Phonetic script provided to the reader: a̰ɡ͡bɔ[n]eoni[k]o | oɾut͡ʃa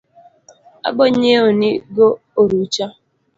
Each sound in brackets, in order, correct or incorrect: incorrect, incorrect

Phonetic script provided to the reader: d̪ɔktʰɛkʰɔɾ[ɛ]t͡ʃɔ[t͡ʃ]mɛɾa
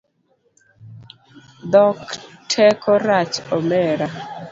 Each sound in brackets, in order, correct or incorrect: incorrect, incorrect

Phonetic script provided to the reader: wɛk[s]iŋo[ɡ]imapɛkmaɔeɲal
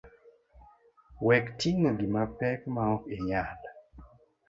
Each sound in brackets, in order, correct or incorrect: incorrect, correct

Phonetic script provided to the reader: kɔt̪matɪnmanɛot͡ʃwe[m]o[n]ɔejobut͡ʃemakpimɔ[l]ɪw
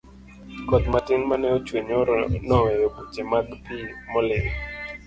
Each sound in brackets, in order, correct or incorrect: incorrect, correct, correct

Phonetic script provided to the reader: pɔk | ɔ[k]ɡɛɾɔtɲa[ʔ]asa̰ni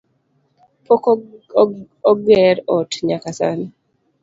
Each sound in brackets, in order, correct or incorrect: incorrect, incorrect

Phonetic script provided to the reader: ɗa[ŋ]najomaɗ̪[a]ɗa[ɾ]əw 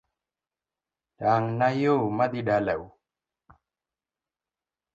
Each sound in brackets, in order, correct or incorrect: correct, incorrect, incorrect

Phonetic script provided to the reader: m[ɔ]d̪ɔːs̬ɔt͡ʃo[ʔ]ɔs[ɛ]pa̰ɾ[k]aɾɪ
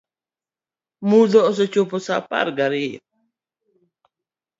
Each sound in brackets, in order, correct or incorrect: incorrect, incorrect, incorrect, incorrect

